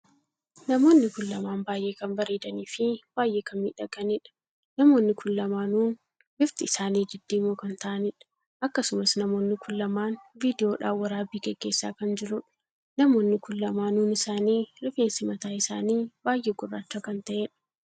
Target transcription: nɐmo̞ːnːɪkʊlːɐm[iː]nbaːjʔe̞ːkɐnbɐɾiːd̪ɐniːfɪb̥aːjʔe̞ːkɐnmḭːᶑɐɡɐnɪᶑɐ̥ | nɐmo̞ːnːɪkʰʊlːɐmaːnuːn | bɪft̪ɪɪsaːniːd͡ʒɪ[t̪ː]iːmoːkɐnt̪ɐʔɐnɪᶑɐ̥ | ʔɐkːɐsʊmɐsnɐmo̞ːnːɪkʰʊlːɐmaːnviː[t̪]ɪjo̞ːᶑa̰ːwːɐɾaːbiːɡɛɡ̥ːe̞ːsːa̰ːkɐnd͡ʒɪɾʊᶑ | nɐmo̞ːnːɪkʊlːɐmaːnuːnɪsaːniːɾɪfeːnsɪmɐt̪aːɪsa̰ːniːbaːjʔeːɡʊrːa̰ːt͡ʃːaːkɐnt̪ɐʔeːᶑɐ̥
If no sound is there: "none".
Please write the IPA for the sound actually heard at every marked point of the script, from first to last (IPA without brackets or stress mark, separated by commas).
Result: aː, d̪ː, d̪